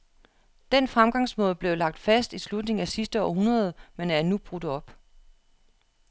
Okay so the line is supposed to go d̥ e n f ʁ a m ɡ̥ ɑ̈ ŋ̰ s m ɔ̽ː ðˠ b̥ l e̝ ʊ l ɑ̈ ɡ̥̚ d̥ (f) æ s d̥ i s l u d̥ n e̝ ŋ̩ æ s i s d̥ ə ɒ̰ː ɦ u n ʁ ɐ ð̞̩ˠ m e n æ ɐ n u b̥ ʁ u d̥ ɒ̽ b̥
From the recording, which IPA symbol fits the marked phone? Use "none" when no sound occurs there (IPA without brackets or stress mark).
f